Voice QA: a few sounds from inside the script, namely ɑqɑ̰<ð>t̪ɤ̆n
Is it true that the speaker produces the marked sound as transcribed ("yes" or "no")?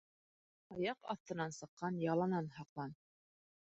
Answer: no